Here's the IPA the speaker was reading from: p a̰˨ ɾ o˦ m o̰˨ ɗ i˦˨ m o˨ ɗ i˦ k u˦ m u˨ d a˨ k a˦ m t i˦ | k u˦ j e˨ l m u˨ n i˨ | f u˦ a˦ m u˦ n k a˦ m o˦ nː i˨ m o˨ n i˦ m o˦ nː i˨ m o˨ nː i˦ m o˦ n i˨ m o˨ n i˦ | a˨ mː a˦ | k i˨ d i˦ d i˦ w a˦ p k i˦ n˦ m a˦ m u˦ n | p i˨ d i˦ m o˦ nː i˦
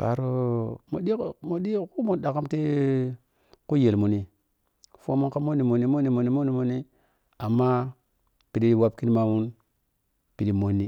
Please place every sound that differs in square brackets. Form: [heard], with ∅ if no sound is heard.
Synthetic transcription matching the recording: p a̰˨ ɾ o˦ m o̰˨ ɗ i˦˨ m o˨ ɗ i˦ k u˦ m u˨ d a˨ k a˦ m t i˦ | k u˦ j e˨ l m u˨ n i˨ | f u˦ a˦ m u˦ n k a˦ m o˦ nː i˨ m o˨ n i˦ m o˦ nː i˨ m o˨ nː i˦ m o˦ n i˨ m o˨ n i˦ | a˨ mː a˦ | [p] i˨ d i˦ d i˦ w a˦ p k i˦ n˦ m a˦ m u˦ n | p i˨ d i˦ m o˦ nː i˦